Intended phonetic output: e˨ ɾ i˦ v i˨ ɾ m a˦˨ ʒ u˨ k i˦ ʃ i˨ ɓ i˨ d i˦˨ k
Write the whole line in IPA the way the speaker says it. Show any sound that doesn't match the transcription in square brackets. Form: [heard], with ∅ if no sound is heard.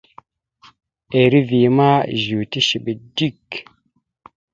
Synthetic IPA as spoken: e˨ ɾ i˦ v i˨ [∅] m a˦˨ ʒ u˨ [t] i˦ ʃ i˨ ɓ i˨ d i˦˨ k